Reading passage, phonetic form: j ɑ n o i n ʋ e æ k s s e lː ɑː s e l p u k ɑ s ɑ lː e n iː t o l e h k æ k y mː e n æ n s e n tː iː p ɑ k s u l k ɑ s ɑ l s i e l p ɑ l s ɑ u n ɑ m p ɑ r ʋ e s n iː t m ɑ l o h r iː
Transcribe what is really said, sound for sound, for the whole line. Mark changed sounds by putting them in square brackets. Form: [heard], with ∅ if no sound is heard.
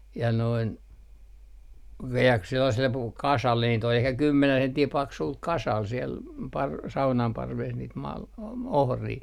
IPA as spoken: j ɑ n o i n ʋ e æ k s s e lː [ɑ] s e l p u k ɑ s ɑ lː e n iː t o l e h k æ k y mː e n æ n s e n tː iː p ɑ k s u l k ɑ s ɑ l s i e l p ɑ [r] s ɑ u n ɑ m p ɑ r ʋ e s n iː t m ɑ l o h r iː